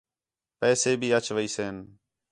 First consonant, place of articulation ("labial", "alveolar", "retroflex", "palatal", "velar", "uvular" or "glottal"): labial